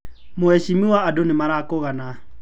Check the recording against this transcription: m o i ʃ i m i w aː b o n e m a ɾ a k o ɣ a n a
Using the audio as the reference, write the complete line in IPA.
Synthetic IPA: m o ɛ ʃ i m i w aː d o n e m a ɾ a k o ɣ a n a